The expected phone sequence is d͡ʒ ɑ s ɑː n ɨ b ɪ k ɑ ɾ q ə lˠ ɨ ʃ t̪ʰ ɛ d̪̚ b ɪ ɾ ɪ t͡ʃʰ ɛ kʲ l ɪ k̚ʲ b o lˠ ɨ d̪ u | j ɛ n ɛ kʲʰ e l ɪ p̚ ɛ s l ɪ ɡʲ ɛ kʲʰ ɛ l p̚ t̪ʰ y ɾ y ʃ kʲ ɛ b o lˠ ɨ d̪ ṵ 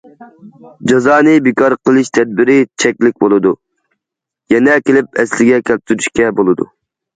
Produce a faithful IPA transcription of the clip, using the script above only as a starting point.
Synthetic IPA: d͡ʒ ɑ z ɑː n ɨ b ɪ k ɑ ɾ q ə lˠ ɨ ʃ t̪ʰ ɛ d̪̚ b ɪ ɾ ɪ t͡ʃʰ ɛ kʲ l ɪ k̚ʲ b o lˠ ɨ d̪ u | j ɛ n ɛ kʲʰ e l ɪ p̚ ɛ s l ɪ ɡʲ ɛ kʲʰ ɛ l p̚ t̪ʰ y ɾ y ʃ kʲ ɛ b o lˠ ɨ d̪ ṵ